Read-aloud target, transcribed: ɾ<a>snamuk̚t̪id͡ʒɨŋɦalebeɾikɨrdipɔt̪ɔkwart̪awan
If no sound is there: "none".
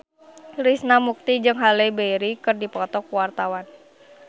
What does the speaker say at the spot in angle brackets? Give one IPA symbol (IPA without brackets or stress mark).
i